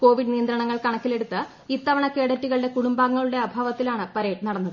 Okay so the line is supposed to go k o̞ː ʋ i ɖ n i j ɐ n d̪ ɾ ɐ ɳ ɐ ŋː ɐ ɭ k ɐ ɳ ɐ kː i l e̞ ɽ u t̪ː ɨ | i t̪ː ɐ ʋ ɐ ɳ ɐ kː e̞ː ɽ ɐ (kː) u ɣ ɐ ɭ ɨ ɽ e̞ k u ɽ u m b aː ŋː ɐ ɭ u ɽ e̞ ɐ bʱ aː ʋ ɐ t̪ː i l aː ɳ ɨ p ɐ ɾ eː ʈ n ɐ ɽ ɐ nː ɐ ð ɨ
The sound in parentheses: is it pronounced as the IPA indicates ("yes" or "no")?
no